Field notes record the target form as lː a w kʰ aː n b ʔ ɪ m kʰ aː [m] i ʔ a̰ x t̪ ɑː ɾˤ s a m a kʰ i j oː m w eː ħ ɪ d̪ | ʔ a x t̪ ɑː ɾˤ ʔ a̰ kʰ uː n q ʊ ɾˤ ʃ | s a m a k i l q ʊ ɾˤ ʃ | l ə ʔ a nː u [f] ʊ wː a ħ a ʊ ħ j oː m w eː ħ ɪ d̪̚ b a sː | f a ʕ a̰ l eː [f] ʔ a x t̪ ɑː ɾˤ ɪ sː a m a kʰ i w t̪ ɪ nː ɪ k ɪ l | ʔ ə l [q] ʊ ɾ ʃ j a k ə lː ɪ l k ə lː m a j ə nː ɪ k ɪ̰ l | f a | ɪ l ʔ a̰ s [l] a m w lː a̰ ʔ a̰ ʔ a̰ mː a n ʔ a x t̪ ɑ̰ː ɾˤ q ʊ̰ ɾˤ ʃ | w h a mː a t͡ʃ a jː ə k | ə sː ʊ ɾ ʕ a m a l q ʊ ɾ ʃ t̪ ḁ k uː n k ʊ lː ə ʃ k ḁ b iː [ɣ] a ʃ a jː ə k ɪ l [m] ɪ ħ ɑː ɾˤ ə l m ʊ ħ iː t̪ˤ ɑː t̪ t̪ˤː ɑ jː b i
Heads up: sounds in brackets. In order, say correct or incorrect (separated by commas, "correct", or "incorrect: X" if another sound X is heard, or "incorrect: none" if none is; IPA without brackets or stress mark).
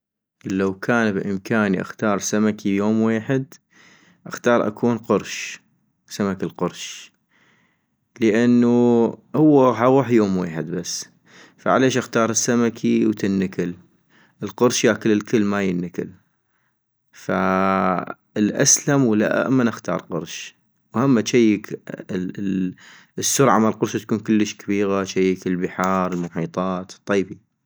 incorrect: n, incorrect: h, incorrect: ʃ, correct, correct, correct, incorrect: b